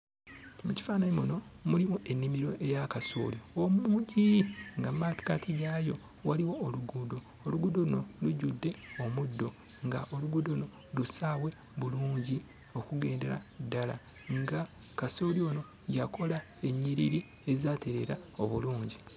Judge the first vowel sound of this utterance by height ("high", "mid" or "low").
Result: high